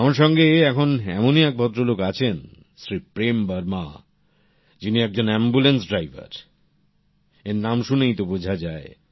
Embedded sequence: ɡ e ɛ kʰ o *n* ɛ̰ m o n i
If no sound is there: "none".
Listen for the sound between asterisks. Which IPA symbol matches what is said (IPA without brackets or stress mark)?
n